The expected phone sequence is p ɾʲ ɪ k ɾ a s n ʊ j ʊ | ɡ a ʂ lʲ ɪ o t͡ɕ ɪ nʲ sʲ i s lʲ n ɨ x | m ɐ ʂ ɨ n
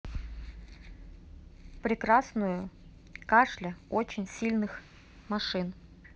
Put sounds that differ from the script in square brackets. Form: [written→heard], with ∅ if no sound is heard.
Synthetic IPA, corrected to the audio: p ɾʲ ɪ k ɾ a s n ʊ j ʊ | [ɡ→k] a ʂ lʲ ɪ o t͡ɕ ɪ nʲ sʲ i [s→∅] lʲ n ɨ x | m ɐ ʂ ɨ n

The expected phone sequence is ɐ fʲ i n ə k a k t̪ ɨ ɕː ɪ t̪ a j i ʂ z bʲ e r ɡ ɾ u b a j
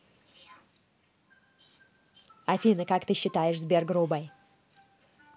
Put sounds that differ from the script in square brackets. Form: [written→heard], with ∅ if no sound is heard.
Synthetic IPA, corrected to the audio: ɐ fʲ i n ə k a k t̪ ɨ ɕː ɪ t̪ a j [i→ɪ] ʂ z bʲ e r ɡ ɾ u b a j

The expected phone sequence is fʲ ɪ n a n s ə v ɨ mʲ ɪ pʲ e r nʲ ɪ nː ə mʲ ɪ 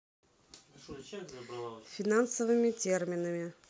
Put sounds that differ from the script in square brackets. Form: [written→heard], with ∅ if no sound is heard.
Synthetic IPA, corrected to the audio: fʲ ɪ n a n s ə v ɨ mʲ ɪ [pʲ→tʲ] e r [nʲ→mʲ] ɪ [nː→n] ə mʲ ɪ

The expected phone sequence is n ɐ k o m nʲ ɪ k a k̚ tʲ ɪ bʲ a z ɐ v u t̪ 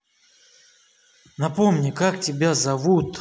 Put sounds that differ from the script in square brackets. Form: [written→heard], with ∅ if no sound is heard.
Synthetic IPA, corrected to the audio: n ɐ [k→p] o m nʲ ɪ k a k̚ tʲ ɪ bʲ a z ɐ v u t̪

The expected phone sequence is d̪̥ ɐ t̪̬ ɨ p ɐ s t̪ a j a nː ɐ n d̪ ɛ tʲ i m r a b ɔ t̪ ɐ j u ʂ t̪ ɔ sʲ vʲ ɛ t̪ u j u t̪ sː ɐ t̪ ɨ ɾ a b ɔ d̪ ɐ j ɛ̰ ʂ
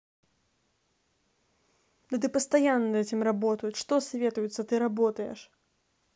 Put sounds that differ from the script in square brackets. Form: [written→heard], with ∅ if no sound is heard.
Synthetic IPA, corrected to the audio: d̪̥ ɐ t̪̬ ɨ p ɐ s t̪ a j a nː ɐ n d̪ ɛ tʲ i m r a b ɔ t̪ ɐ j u ʂ t̪ ɔ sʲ vʲ ɛ t̪ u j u t̪ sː ɐ t̪ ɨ ɾ a b ɔ [d̪→t̪] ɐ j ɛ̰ ʂ

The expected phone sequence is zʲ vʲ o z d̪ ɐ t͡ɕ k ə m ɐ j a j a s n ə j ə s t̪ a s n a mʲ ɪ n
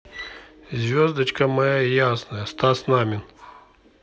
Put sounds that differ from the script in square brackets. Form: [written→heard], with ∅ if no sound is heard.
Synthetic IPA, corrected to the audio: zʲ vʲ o z d̪ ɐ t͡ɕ k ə m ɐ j a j a s n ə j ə s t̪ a s n a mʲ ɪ n

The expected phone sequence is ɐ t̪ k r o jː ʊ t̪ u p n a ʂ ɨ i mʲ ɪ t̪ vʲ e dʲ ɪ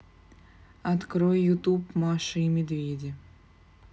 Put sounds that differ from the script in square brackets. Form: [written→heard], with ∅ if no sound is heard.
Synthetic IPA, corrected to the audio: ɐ t̪ k [r→ɾ] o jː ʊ t̪ u p [n→m] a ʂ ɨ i mʲ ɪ [t̪→d̪] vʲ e dʲ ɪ

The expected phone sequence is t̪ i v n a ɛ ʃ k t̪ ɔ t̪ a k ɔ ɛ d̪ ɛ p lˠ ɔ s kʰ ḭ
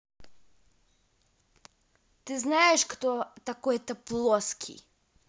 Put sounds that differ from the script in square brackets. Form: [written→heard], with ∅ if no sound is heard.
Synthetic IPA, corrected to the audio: t̪ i [v→z] n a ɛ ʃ k t̪ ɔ t̪ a k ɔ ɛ [d̪→t̪] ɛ p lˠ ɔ s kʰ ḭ

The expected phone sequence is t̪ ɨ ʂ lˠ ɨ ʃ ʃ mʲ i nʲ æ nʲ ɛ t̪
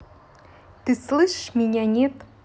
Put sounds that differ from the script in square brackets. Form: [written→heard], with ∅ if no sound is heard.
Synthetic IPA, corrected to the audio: t̪ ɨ [ʂ→s] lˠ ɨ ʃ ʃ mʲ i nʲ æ nʲ [ɛ→e] t̪

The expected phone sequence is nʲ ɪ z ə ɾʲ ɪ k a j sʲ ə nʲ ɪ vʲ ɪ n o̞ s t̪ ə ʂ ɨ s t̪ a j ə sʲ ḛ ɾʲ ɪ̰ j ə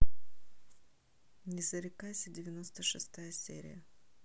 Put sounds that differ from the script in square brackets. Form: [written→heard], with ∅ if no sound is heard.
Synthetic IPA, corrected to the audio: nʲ ɪ z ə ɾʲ ɪ k a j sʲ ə [nʲ→dʲ] ɪ vʲ ɪ n o̞ s t̪ ə ʂ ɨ s t̪ a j ə sʲ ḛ ɾʲ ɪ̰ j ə

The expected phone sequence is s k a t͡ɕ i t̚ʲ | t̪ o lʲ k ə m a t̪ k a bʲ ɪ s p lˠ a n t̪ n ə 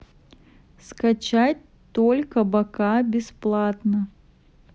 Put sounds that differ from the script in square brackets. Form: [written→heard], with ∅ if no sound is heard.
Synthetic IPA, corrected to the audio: s k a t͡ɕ [i→a] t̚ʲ | t̪ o lʲ k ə [m→b] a [t̪→∅] k a bʲ ɪ s p lˠ a [n→∅] t̪ n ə

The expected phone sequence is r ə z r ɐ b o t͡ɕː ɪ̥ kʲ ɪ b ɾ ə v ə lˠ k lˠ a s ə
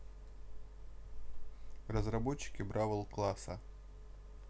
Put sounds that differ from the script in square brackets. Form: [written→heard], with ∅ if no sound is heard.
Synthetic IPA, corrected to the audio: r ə z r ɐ b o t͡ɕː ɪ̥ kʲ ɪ b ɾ [ə→a] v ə lˠ k lˠ a s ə

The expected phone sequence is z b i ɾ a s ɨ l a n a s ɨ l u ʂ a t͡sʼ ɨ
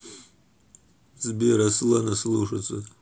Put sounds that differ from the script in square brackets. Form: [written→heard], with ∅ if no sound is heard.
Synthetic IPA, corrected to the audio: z b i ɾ a s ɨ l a n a s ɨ l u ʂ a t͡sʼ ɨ

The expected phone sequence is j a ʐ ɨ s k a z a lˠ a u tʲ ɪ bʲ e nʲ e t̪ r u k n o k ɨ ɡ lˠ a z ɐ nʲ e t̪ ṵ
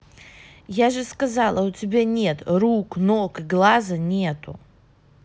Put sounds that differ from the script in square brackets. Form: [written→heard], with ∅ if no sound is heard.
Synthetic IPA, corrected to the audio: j a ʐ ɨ s k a z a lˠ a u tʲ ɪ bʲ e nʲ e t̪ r u k n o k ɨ ɡ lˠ a z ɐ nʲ e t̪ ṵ

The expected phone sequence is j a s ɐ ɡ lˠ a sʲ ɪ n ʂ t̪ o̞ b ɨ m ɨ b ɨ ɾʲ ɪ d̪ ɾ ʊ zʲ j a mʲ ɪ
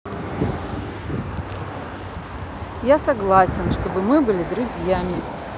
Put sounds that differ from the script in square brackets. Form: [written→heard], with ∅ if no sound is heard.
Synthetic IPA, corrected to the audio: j a s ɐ ɡ lˠ a sʲ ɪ n ʂ t̪ o̞ b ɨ m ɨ b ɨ [ɾʲ→lʲ] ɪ d̪ ɾ ʊ zʲ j a mʲ ɪ

